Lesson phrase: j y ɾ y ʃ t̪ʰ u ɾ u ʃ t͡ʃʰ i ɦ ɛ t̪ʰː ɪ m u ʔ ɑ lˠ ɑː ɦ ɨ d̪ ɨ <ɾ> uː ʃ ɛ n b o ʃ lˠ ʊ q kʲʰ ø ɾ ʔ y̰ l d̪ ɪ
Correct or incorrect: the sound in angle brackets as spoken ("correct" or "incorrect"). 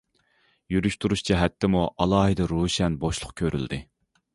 correct